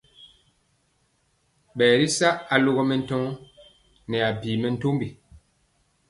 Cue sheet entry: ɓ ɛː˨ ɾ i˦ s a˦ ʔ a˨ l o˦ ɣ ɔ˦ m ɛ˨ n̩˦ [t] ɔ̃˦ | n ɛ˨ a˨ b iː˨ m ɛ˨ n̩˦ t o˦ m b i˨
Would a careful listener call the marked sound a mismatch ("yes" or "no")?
no